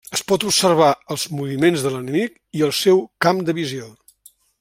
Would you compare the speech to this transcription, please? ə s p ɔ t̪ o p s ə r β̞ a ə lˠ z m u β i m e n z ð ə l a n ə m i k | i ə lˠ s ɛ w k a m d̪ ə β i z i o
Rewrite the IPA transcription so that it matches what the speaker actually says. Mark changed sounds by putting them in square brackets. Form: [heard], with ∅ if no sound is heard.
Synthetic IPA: ə s p ɔ t̪ [u] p s ə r β̞ a ə lˠ z m u β i m e n z ð ə l [ə] n ə m i k | i ə lˠ s ɛ w k a m d̪ ə β i z i o